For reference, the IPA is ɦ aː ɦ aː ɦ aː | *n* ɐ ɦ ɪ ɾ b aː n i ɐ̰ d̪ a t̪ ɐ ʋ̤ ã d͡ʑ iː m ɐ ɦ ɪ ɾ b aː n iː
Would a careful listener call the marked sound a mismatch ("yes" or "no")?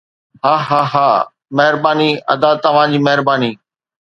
yes